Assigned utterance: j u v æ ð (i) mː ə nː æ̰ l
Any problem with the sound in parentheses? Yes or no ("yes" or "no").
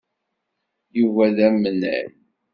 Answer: yes